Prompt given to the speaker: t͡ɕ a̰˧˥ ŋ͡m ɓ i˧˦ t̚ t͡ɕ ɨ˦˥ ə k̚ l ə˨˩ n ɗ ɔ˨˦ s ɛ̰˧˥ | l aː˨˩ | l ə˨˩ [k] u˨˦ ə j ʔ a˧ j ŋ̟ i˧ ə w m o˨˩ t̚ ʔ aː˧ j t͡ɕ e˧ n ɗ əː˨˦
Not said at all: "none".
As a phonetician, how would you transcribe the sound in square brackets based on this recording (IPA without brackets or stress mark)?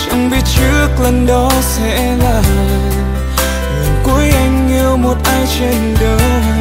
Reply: k